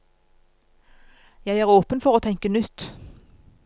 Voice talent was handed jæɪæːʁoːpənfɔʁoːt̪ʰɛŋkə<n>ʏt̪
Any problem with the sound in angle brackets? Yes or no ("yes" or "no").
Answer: no